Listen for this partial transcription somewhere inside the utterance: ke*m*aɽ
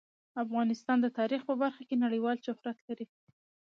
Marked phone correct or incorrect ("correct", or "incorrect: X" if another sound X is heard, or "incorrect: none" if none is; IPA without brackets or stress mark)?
incorrect: n